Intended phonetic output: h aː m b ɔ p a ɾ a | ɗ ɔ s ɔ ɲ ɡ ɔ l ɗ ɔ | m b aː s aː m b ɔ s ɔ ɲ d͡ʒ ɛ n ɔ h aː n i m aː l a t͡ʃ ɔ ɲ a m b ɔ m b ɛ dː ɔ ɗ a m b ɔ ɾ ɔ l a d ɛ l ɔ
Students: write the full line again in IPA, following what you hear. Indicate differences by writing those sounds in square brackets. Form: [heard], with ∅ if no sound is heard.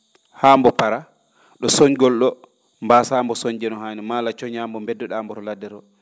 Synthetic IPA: h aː m b ɔ p a ɾ a | ɗ ɔ s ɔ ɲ ɡ ɔ l ɗ ɔ | m b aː s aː m b ɔ s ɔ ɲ d͡ʒ ɛ n ɔ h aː n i m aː l a t͡ʃ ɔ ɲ a m b ɔ m b ɛ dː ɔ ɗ a m b ɔ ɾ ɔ l a d ɛ [ɾ] ɔ